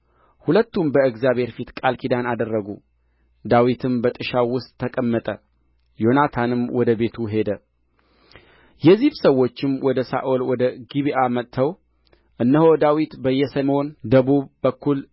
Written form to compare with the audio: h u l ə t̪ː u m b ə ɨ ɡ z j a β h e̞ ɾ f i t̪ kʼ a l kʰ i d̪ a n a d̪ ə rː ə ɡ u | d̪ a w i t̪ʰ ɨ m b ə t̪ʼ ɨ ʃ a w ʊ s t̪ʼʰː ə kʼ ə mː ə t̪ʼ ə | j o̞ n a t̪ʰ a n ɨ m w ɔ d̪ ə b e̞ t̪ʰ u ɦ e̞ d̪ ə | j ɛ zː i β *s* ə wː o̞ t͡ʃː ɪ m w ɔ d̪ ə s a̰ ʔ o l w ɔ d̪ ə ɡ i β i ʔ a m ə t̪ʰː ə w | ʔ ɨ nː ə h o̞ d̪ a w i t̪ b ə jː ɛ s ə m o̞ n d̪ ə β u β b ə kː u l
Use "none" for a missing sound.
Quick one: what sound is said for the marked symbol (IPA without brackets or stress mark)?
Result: s